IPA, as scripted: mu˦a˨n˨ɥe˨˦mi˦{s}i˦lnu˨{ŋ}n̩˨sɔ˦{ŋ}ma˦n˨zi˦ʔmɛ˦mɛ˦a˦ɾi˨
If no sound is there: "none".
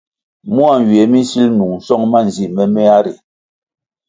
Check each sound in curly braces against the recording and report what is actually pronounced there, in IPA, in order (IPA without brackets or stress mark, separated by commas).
s, ŋ, ŋ